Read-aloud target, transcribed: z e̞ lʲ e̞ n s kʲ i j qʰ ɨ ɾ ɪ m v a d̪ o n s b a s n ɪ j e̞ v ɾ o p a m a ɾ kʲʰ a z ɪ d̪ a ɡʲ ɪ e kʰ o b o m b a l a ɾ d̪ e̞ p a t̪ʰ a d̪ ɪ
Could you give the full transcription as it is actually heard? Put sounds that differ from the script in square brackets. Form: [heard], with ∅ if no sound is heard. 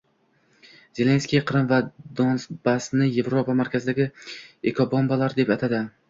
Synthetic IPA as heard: z e̞ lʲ e̞ n s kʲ i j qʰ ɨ ɾ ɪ m v a d̪ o n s b a s n ɪ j e̞ v ɾ o p a m a ɾ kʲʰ a z ɪ d̪ a ɡʲ ɪ e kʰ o b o m b a l a ɾ d̪ e̞ p a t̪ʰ a d̪ ɪ